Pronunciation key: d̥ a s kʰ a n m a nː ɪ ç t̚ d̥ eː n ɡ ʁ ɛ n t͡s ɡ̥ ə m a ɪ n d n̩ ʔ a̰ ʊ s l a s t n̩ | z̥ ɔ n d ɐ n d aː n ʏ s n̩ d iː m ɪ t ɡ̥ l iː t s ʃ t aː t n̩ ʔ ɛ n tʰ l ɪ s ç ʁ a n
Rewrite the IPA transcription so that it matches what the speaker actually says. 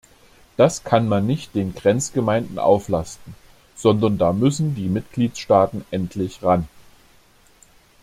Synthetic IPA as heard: d̥ a s kʰ a n m a nː ɪ ç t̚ d̥ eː n ɡ ʁ ɛ n t͡s ɡ̥ ə m a ɪ n d n̩ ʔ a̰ ʊ f l a s t n̩ | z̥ ɔ n d ɐ n d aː m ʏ s n̩ d iː m ɪ t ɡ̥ l iː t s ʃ t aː t n̩ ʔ ɛ n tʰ l ɪ ç ʁ a n